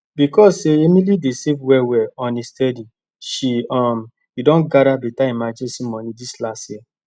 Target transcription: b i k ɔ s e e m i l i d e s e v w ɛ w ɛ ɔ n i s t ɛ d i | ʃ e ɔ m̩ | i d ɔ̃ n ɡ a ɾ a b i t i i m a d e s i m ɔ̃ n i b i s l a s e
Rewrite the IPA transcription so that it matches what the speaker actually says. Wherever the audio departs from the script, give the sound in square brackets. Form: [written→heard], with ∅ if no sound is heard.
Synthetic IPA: b i k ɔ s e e m i l i d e s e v w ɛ w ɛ ɔ n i s t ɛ d i | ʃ [e→i] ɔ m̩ | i d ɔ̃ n ɡ a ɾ a b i t [i→a] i m a [d→d͡ʒ] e s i m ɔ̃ n i [b→d] i s l a s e